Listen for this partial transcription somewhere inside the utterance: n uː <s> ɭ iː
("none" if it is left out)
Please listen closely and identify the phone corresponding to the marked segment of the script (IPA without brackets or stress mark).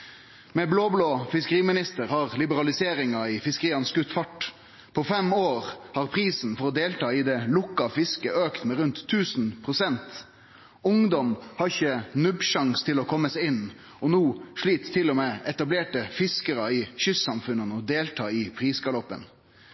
ʂ